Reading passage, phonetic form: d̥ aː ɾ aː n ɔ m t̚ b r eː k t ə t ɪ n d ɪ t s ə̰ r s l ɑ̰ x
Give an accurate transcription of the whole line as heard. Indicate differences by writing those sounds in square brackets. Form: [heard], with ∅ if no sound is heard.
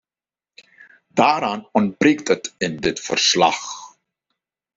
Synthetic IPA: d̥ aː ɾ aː n ɔ [n] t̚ b r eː k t ə t ɪ n d ɪ t [f] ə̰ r s l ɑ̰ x